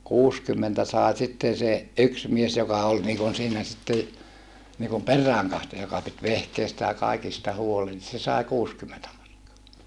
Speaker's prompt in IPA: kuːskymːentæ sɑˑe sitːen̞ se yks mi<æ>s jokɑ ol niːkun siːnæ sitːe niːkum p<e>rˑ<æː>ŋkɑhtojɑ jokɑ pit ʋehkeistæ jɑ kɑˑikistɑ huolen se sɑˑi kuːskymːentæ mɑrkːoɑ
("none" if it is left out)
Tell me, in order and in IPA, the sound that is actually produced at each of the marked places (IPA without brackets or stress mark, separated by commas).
e, e, æː